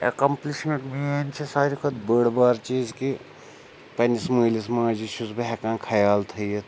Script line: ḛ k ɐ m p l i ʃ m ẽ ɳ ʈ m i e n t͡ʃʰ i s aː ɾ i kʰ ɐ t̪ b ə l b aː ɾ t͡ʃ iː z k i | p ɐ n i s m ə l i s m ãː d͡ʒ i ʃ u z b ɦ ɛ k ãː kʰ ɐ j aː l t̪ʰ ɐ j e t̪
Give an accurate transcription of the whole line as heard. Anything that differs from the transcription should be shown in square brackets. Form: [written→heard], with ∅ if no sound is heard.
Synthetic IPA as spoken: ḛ k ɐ m p l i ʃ m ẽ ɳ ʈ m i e n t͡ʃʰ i s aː ɾ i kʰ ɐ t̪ b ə [l→ɽ] b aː ɾ t͡ʃ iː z k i | p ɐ n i s m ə l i s m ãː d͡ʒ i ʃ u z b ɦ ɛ k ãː kʰ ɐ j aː l t̪ʰ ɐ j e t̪